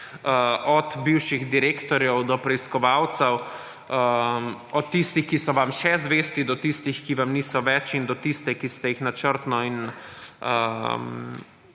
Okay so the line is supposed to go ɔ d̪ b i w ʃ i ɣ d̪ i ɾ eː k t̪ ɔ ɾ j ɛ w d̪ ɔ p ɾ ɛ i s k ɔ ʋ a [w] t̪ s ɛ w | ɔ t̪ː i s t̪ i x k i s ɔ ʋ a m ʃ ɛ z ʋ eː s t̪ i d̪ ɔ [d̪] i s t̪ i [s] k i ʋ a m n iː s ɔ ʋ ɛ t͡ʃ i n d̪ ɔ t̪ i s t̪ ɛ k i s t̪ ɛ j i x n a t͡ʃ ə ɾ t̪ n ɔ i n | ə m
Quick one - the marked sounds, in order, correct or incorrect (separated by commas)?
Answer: correct, incorrect, incorrect